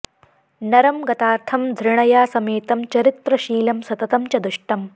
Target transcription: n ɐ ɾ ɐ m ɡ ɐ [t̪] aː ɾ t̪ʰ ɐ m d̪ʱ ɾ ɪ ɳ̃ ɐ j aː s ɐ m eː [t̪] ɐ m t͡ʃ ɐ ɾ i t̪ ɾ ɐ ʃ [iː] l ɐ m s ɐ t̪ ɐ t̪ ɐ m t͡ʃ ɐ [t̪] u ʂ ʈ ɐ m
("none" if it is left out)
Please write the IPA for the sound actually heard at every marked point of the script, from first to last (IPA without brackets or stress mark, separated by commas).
t̪, t̪, iː, d̪